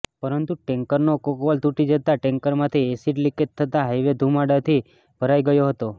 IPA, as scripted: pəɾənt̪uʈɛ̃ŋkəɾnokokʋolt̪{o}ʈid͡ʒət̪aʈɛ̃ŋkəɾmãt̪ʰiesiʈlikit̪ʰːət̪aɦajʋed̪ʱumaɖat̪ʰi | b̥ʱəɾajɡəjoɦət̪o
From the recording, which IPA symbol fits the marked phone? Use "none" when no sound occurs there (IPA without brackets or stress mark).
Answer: u